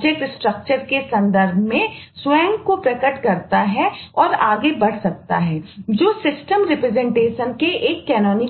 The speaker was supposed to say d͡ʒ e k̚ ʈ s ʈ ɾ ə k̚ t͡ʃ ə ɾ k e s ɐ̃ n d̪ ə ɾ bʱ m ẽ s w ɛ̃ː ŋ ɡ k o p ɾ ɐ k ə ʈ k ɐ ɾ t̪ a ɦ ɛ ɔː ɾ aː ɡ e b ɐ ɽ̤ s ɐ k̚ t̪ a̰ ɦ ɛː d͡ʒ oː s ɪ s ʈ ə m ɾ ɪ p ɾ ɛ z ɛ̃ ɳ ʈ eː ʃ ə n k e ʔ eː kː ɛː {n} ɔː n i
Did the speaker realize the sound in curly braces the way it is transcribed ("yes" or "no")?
yes